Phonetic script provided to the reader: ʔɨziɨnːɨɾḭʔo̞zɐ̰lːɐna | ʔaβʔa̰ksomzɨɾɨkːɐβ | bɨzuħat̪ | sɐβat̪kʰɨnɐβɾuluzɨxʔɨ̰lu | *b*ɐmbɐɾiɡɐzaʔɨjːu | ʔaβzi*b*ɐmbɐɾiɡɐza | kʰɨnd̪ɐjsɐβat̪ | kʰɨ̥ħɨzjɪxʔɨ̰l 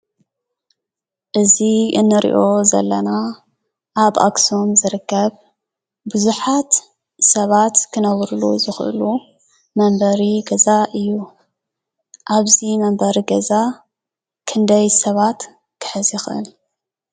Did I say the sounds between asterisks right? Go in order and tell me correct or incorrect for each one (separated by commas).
incorrect, incorrect